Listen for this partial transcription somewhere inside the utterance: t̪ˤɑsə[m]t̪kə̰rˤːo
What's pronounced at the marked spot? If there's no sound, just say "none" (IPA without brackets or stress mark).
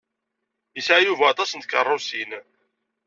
n